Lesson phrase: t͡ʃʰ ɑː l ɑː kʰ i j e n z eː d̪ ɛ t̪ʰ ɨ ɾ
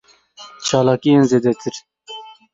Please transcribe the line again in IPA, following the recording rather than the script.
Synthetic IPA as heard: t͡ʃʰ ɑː l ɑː k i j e n z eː d̪ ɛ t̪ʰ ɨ ɾ